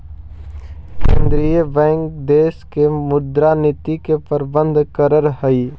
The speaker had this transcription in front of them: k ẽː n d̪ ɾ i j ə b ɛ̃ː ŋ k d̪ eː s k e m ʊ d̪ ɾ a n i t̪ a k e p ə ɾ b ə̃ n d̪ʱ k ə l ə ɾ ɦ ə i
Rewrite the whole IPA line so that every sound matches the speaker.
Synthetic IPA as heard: k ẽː n d̪ ɾ i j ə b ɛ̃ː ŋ k d̪ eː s k e m ʊ d̪ ɾ a n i t̪ i k e p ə ɾ b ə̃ n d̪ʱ k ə ɾ ə ɾ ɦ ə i